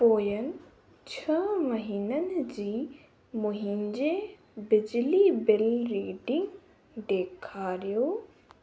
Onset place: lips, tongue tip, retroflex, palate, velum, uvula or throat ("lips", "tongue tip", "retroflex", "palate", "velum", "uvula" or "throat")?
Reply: lips